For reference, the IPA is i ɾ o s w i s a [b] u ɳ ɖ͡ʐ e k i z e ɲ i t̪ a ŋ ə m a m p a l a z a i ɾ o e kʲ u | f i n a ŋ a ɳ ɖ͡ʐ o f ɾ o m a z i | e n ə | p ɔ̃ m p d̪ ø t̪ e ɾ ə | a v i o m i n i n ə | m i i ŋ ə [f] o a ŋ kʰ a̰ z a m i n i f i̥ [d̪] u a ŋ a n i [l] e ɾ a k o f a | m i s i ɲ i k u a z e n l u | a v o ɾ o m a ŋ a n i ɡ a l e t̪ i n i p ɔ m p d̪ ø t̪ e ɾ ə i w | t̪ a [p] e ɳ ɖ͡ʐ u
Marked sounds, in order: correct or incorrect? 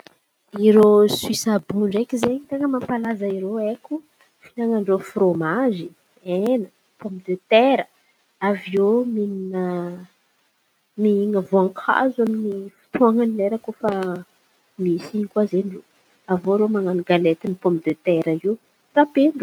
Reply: correct, incorrect: v, incorrect: t̪, correct, correct

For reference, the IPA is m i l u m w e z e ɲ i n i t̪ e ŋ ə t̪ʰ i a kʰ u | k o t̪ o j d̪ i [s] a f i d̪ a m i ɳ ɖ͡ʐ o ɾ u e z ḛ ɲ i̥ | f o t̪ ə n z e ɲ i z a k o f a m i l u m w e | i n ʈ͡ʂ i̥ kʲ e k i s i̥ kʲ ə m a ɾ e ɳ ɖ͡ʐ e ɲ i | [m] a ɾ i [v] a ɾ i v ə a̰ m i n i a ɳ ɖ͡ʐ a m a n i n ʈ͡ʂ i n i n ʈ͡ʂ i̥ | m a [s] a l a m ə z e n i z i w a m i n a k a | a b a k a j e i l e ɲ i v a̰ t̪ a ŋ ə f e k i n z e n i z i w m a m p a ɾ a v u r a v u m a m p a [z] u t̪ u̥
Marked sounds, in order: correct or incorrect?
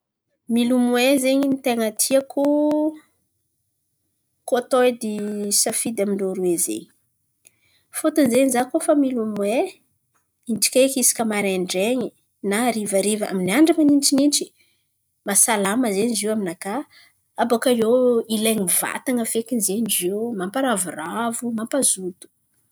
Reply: correct, incorrect: n, correct, correct, correct

